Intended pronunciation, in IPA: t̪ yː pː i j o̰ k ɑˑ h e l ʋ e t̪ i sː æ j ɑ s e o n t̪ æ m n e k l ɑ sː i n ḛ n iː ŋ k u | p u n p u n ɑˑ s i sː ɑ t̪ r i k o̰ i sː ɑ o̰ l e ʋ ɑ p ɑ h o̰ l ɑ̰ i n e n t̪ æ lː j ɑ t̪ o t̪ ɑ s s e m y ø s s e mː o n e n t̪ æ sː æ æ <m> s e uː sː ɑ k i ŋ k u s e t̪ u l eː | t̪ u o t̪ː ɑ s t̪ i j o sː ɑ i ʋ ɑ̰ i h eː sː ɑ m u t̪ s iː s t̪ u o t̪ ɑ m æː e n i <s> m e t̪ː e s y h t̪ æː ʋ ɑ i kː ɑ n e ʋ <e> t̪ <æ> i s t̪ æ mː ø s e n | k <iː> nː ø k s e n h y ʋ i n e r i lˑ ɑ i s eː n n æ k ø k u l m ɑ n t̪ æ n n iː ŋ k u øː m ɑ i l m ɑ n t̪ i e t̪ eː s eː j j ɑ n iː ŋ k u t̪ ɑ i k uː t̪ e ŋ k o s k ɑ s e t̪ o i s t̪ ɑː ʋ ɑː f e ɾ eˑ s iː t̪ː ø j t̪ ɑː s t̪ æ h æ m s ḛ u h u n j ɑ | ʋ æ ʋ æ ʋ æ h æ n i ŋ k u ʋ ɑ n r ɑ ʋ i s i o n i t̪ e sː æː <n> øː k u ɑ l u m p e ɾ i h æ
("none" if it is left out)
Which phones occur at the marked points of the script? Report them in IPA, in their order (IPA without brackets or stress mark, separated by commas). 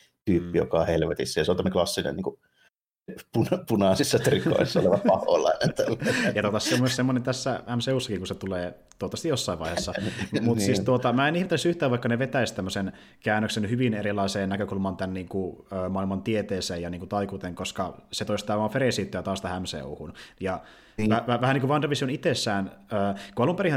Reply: m, h, e, æ, æː, n